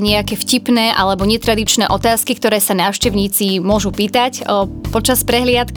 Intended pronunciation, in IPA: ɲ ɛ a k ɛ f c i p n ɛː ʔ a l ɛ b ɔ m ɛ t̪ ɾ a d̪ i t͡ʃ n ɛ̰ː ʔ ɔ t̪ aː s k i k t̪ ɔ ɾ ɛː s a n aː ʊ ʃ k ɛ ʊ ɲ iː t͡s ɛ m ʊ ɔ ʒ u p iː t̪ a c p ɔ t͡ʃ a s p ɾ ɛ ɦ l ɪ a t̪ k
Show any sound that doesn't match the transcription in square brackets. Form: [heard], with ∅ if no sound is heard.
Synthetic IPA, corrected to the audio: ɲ ɛ a k ɛ f c i p n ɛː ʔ a l ɛ b ɔ [ɲ] ɛ t̪ ɾ a d̪ i t͡ʃ n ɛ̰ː ʔ ɔ t̪ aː s k i k t̪ ɔ ɾ ɛː s a n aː ʊ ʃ [c] ɛ ʊ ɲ iː t͡s [i] m ʊ ɔ ʒ u p iː t̪ a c p ɔ t͡ʃ a s p ɾ ɛ ɦ l ɪ a t̪ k